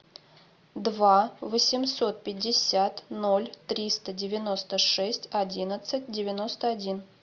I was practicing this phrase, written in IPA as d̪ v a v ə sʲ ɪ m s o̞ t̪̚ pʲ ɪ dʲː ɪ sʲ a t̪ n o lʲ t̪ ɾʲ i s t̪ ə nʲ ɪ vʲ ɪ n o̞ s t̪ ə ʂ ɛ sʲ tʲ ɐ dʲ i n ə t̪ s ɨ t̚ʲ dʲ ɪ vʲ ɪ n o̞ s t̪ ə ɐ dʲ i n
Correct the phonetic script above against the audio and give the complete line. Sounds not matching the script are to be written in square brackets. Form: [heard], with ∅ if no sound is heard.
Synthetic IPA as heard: d̪ v a v ə sʲ ɪ m s o̞ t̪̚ pʲ ɪ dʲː ɪ sʲ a t̪ n o lʲ t̪ ɾʲ i s t̪ ə [dʲ] ɪ vʲ ɪ n o̞ s t̪ ə ʂ ɛ sʲ tʲ ɐ dʲ i n ə t̪ s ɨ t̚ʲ dʲ ɪ vʲ ɪ n o̞ s t̪ ə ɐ dʲ i n